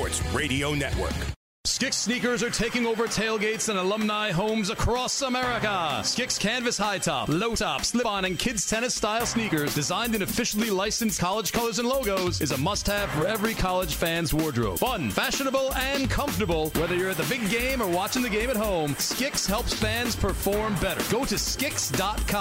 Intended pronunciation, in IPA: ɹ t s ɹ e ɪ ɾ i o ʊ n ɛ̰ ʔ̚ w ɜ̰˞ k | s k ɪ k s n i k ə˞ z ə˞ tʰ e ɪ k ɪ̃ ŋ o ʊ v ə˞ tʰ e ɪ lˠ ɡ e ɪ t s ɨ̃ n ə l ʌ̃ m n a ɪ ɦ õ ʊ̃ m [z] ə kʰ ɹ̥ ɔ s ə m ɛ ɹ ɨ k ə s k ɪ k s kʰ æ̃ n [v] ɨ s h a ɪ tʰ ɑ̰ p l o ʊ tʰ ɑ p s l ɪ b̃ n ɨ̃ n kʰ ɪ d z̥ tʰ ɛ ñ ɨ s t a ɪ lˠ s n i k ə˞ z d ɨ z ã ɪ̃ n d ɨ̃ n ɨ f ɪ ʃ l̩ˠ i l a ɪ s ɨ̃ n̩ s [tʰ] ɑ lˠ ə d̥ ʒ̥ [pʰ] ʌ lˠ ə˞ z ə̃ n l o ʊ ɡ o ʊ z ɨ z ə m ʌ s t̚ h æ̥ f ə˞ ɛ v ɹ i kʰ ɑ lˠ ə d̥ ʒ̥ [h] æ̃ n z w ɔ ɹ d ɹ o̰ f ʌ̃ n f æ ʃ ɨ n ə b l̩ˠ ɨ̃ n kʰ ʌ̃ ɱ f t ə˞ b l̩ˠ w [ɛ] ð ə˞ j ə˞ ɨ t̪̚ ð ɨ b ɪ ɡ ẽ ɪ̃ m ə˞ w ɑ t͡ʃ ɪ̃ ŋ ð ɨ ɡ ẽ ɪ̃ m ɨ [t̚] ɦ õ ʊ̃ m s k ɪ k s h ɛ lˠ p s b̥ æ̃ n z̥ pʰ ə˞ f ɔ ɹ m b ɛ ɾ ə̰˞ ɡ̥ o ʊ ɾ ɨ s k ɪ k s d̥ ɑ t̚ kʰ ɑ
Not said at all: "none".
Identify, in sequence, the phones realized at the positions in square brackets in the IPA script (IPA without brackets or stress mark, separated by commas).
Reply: z, v, kʰ, kʰ, f, ɛ, t̚